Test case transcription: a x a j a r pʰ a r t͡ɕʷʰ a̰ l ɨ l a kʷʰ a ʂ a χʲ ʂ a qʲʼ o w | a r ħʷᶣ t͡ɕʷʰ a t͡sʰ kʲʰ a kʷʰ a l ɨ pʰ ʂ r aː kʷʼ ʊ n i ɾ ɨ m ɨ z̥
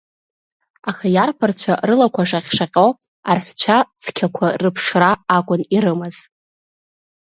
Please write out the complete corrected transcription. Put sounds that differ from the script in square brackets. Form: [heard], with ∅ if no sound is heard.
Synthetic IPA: a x a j a r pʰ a r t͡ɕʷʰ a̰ [r] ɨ l a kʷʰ a ʂ a χʲ ʂ a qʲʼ o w | a r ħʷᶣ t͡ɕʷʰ a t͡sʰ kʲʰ a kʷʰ a [r] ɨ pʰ ʂ r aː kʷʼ ʊ n i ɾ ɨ m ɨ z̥